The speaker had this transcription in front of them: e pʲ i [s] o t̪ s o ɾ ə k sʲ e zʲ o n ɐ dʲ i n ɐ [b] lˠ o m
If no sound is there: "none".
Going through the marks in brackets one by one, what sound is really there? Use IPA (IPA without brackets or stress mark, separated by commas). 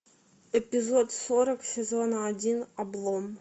z, b